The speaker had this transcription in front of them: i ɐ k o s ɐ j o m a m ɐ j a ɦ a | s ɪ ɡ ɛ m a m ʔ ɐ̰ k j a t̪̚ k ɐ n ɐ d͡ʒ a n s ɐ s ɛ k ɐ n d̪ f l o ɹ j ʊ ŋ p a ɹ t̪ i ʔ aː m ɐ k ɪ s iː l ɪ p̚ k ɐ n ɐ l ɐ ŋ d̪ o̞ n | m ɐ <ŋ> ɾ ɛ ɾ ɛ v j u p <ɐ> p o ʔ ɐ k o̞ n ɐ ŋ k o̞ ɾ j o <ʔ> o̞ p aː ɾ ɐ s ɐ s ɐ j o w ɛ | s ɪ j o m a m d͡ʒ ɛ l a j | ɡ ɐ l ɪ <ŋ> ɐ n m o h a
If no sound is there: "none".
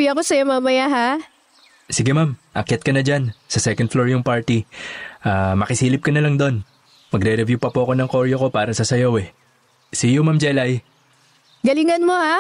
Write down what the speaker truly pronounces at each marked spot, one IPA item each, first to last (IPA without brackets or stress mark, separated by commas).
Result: ɡ, ɐ, k, ŋ